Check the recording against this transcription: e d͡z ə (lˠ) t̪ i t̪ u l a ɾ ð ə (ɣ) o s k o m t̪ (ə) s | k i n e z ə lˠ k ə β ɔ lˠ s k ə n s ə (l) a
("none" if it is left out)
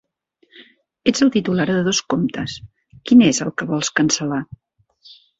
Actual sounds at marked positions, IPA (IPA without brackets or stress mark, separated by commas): lˠ, ð, ə, l